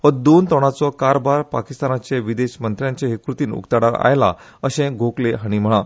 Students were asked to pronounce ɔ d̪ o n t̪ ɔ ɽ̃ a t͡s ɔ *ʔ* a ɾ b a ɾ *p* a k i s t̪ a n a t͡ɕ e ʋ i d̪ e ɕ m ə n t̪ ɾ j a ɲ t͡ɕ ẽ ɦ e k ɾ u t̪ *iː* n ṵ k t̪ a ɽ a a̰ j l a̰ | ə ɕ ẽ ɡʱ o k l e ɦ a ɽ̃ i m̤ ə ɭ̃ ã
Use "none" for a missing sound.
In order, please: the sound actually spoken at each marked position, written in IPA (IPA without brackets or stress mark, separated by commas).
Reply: k, p, iː